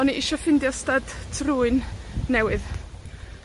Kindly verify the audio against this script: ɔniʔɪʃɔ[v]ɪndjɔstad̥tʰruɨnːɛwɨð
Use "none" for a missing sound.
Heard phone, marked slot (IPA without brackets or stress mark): f